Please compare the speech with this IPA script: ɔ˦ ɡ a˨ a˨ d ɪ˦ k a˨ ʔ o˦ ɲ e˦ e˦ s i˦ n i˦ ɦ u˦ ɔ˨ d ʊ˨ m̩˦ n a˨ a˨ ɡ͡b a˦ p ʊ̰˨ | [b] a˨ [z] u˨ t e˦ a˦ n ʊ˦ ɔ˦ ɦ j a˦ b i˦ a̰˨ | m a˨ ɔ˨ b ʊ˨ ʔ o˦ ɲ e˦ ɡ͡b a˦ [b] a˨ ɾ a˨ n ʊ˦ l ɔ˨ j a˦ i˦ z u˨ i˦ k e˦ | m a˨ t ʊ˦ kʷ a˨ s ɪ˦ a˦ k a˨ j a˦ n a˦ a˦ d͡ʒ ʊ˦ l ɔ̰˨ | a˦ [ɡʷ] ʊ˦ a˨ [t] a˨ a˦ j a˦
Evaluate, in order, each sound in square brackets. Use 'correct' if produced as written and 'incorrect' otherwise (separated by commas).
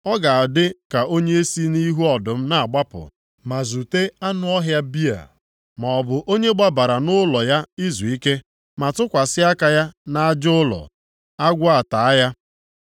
incorrect, correct, correct, correct, correct